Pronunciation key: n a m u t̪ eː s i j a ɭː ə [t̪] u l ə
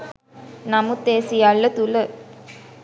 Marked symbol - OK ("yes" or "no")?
yes